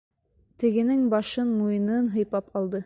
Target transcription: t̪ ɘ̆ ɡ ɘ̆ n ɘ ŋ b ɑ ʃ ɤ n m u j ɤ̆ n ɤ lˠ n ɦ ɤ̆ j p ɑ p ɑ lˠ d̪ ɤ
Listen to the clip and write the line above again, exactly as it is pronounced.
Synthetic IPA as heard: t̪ ɘ̆ ɡ ɘ̆ n ɘ ŋ b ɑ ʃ ɤ n m u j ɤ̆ n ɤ n ɦ ɤ̆ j p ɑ p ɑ lˠ d̪ ɤ

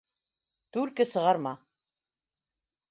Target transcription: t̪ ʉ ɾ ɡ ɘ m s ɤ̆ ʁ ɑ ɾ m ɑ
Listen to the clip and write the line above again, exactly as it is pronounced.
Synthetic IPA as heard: t̪ ʉ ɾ k ɘ s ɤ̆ ʁ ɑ ɾ m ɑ

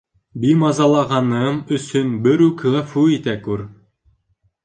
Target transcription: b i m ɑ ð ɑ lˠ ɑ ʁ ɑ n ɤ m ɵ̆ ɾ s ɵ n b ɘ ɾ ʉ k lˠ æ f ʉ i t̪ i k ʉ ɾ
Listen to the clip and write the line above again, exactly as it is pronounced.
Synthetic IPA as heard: b i m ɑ z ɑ lˠ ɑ ʁ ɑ n ɤ m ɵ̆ s ɵ n b ɘ ɾ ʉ k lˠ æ f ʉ i t̪ æ k ʉ ɾ

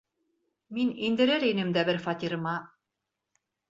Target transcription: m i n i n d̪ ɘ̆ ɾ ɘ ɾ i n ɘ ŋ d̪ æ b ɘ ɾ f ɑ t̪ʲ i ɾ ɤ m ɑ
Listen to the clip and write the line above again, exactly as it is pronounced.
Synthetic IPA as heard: m i n i n d̪ ɘ̆ ɾ ɘ ɾ i n ɘ m d̪ æ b ɘ ɾ f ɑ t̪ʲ i ɾ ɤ m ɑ

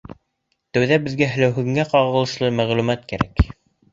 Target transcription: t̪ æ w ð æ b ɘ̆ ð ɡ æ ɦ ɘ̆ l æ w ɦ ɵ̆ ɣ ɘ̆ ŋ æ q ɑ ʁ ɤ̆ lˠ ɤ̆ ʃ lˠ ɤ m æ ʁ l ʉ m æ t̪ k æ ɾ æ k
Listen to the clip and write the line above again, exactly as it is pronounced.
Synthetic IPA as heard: t̪ æ w ð æ b ɘ̆ ð ɡ æ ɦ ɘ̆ l æ w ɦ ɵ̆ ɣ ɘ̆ ŋ æ q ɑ ʁ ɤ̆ lˠ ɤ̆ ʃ lˠ ɤ m æ ʁ l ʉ m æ t̪ k æ ɾ æ k

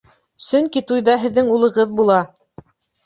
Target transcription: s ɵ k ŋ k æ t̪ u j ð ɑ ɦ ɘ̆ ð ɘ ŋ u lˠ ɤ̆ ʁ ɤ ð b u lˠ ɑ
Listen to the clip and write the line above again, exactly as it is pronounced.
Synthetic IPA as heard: s ɵ ŋ k i t̪ u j ð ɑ ɦ ɘ̆ ðː ɘ ŋ u lˠ ɤ̆ ʁ ɤ ð b u lˠ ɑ

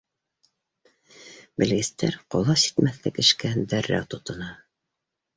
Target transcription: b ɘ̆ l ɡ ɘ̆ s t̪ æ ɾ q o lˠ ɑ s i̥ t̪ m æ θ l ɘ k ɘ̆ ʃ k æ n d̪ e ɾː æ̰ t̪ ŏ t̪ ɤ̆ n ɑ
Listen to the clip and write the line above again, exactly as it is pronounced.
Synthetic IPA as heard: b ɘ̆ l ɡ ɘ̆ s t̪ æ ɾ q o lˠ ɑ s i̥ t̪ m æ θ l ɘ k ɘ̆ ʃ k æ n d̪ æ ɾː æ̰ t̪ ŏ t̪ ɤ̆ n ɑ

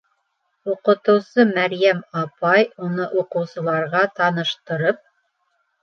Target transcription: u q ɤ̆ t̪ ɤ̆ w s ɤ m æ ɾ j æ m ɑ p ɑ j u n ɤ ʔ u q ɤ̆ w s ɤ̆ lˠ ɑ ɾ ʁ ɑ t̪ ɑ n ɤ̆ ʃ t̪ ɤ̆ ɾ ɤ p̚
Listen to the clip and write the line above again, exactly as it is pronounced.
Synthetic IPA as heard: u q ɤ̆ t̪ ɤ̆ w s ɤ m æ ɾ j æ m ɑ p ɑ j u n ɤ ʔ u q ɤ̆ w s ɤ̆ lˠ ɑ ɾ ʁ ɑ t̪ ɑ n ɤ̆ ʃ t̪ ɤ̆ ɾ ɤ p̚

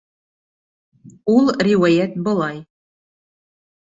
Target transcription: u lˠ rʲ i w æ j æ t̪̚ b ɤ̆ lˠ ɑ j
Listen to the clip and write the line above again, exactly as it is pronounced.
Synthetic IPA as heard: u lˠ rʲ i w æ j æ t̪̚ b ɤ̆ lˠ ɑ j

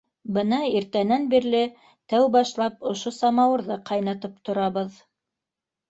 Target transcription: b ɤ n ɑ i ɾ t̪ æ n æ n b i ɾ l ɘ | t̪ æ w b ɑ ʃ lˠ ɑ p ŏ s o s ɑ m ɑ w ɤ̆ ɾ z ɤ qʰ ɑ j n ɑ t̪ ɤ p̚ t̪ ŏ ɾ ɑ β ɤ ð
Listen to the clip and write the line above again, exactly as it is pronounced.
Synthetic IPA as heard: b ɤ n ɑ i ɾ t̪ æ n æ n b i ɾ l ɘ | t̪ æ w b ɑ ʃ lˠ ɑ p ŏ ʃ o s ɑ m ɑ w ɤ̆ ɾ ð ɤ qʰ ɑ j n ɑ t̪ ɤ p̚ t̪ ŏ ɾ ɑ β ɤ ð

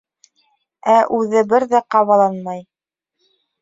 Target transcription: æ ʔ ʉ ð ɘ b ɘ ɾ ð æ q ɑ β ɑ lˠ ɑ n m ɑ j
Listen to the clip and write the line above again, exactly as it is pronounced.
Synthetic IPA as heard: æ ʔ ʉ ð ɘ b ɘ ɾ ð æ q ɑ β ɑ lˠ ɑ n m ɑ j

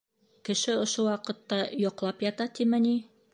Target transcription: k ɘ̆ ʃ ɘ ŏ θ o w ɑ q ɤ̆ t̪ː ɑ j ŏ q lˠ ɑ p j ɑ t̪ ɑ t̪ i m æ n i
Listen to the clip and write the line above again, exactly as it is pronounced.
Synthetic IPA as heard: k ɘ̆ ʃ ɘ ŏ ʃ o w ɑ q ɤ̆ t̪ː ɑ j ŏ q lˠ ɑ p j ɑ t̪ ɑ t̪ i m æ n i

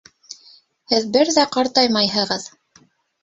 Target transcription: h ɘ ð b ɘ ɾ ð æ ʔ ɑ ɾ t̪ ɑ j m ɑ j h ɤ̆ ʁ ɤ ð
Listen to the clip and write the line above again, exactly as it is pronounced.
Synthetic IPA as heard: h ɘ ð b ɘ ɾ ð æ q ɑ ɾ t̪ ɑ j m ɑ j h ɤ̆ ʁ ɤ ð

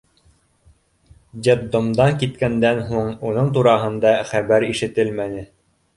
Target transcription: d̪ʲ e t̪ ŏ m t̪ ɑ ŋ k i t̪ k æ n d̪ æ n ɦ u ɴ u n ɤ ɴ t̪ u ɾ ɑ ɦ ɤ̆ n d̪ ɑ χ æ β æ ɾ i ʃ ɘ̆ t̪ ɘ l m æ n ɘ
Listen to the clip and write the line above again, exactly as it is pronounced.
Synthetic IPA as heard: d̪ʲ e d̪ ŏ m d̪ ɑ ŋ k i t̪ k æ n d̪ æ n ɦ u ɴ u n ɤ ɴ t̪ u ɾ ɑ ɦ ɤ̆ n d̪ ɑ χ æ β æ ɾ i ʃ ɘ̆ t̪ ɘ l m æ n ɘ

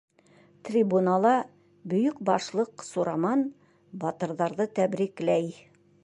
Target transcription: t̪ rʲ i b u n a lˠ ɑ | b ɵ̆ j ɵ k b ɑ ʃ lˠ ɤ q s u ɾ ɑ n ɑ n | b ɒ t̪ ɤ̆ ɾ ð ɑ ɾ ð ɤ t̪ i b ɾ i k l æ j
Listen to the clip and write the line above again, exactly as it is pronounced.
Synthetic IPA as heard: t̪ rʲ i b u n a lˠ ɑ | b ɵ̆ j ɵ k b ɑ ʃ lˠ ɤ q s u ɾ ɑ m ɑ n | b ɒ t̪ ɤ̆ ɾ ð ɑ ɾ ð ɤ t̪ æ b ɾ i k l æ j

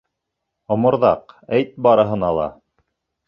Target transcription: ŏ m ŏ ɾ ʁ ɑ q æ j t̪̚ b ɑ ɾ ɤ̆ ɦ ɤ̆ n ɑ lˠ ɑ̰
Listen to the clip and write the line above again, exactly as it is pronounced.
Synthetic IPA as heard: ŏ m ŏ ɾ ð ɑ q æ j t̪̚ b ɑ ɾ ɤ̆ ɦ ɤ̆ n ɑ lˠ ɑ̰

